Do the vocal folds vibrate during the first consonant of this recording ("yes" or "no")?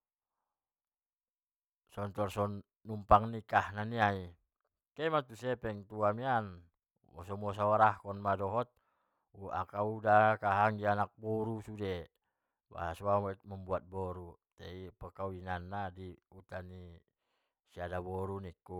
no